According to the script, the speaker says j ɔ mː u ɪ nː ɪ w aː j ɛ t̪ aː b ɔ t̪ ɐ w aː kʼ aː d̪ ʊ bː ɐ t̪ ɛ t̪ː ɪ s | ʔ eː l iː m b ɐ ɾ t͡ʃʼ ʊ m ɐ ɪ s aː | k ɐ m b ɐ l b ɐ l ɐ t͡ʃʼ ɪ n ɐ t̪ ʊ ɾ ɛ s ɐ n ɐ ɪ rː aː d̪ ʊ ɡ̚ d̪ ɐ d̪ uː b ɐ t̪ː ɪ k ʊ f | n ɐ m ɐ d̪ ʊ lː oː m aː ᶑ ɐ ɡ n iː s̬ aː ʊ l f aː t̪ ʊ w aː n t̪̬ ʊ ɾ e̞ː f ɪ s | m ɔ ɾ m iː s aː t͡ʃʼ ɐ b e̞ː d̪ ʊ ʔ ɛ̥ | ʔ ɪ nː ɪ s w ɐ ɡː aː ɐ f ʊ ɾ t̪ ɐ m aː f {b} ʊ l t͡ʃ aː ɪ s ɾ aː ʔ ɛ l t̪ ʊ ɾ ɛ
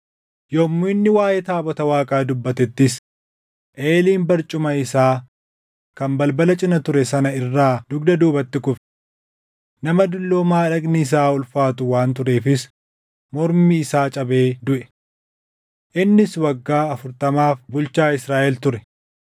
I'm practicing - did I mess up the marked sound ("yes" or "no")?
no